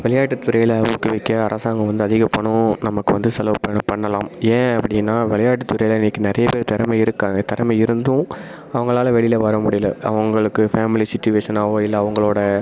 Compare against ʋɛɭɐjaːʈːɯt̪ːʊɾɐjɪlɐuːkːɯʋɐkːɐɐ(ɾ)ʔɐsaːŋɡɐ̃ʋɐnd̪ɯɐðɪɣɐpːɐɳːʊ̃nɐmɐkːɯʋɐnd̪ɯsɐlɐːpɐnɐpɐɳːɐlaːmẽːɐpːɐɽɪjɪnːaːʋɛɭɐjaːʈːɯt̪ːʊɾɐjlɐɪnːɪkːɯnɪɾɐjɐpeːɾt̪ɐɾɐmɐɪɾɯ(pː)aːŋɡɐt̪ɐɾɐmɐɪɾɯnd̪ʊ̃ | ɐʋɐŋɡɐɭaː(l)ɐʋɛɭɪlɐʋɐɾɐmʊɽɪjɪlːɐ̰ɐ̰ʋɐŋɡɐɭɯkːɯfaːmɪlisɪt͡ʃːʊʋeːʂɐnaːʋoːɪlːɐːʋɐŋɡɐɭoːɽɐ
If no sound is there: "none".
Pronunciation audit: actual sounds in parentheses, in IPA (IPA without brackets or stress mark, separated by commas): ɾ, kː, l